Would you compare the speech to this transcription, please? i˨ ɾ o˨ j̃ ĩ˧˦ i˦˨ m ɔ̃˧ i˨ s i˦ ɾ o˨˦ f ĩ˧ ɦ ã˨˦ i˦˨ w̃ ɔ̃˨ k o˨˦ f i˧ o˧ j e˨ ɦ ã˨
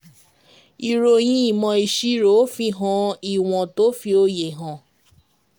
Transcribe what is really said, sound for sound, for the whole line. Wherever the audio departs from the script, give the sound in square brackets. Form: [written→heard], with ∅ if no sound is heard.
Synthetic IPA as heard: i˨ ɾ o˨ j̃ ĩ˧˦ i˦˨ m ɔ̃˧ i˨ [s→ʃ] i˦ ɾ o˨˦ f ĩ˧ ɦ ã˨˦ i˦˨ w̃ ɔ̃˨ [k→t] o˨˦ f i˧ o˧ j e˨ ɦ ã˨

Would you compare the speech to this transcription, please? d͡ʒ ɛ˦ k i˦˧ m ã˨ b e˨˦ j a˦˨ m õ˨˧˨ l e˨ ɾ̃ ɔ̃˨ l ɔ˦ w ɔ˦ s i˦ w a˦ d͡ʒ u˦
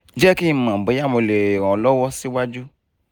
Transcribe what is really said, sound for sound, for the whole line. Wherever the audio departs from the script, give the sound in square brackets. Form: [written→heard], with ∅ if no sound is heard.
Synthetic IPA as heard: d͡ʒ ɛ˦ k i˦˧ m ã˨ b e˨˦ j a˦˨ m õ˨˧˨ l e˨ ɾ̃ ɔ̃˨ l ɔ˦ w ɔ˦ s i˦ w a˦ d͡ʒ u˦

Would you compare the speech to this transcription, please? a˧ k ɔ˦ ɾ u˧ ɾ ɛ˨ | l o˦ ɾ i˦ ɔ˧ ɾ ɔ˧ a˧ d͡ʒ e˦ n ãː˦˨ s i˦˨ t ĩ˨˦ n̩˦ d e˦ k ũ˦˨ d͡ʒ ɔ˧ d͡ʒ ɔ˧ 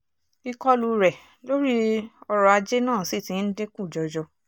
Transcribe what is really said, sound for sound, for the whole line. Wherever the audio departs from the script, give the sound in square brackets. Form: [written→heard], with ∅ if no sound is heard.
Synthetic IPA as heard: [a˧→i˧] k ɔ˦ [ɾ→l] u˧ ɾ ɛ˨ | l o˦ ɾ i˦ ɔ˧ ɾ ɔ˧ a˧ d͡ʒ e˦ n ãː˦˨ s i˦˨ t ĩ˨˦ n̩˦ d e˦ k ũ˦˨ d͡ʒ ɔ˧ d͡ʒ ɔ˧

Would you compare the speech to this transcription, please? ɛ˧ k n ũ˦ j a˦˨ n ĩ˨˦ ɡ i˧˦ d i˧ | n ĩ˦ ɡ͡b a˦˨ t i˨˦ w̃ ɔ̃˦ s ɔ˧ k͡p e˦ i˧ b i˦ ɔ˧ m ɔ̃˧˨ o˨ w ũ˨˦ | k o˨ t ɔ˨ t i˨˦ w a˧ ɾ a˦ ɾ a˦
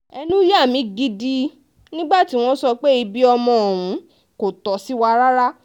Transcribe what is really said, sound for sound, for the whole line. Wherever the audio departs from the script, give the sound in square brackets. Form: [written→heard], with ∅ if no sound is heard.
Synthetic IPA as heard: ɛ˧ [k→∅] n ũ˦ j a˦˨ [n→m] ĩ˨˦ ɡ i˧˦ d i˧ | n ĩ˦ ɡ͡b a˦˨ t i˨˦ w̃ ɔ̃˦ s ɔ˧ k͡p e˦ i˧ b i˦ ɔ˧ m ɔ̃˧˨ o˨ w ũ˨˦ | k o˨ t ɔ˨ [t→s] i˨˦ w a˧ ɾ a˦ ɾ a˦

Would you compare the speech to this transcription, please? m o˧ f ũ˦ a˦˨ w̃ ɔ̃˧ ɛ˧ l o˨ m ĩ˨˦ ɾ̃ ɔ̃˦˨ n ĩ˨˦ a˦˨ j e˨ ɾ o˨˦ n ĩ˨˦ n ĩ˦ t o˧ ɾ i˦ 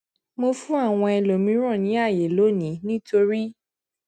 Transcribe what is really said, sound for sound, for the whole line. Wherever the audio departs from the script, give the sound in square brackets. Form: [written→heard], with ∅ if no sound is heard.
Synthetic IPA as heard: m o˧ f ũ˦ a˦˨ w̃ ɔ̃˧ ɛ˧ l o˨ m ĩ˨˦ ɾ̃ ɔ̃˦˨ n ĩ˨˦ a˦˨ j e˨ [ɾ→l] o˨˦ n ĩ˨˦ n ĩ˦ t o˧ ɾ i˦

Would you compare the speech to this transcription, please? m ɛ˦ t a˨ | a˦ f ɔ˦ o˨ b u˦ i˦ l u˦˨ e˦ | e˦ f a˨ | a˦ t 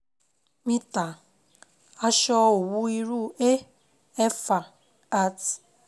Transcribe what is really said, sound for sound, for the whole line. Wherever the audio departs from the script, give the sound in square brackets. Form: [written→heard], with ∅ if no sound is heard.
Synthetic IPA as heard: m [ɛ˦→i˦] t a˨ | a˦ [f→ʃ] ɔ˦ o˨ [b→w] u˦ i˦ [l→ɾ] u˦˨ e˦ | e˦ f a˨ | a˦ t

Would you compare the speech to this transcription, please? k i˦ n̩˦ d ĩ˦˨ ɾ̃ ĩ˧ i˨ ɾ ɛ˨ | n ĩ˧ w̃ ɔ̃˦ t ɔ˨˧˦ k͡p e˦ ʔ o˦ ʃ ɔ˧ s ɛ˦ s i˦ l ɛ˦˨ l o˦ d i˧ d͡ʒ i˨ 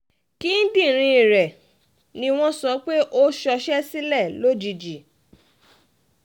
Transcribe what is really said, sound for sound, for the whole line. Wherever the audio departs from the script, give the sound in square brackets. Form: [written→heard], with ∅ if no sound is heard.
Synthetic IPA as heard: k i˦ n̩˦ d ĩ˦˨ ɾ̃ ĩ˧ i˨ ɾ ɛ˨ | n ĩ˧ w̃ ɔ̃˦ [t→s] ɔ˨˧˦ k͡p e˦ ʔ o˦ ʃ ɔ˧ [s→ʃ] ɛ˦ s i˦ l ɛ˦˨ l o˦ [d→d͡ʒ] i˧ d͡ʒ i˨

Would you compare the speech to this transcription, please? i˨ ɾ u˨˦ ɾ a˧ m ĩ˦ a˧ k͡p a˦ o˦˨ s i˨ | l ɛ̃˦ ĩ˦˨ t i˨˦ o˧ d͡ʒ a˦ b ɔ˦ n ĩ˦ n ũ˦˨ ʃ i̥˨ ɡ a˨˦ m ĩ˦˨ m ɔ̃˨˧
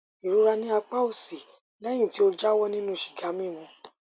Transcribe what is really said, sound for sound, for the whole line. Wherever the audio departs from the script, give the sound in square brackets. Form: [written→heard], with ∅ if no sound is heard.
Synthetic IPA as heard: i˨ ɾ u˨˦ ɾ a˧ [m→n] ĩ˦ a˧ k͡p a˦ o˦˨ s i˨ | l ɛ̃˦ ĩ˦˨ t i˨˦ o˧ d͡ʒ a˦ [b→w] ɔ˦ n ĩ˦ n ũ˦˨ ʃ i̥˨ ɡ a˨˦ m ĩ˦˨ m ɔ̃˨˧

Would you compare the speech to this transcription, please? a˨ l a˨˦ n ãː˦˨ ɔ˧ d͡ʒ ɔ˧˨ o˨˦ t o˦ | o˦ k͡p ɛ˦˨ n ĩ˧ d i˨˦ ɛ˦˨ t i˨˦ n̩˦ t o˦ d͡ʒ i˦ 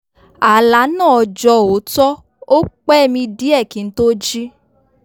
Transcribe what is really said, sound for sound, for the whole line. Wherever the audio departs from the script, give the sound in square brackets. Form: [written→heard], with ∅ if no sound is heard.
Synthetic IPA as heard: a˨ l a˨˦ n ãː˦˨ ɔ˧ d͡ʒ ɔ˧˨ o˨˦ t [o˦→ɔ˦] | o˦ k͡p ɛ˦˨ [n→m] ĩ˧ d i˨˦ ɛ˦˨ [t→k] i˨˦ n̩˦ t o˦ d͡ʒ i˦

